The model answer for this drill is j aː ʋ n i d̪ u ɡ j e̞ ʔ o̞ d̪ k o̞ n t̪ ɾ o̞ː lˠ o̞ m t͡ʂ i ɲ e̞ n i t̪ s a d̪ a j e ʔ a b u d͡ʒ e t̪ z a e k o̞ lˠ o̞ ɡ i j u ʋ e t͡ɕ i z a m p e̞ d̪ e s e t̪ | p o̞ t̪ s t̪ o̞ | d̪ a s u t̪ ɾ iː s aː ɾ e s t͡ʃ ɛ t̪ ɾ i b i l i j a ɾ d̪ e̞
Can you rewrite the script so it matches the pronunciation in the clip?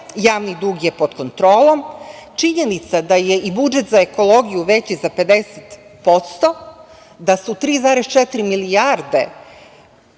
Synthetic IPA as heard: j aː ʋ n i d̪ u ɡ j e̞ p o̞ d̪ k o̞ n t̪ ɾ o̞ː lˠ o̞ m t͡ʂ i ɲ e̞ n i t̪ s a d̪ a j e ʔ i b u d͡ʒ e t̪ z a e k o̞ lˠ o̞ ɡ i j u ʋ e t͡ɕ i z a p e̞ d̪ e s e t̪ | p o̞ t̪ s t̪ o̞ | d̪ a s u t̪ ɾ iː z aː ɾ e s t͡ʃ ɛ t̪ ɾ i m i l i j a ɾ d̪ e̞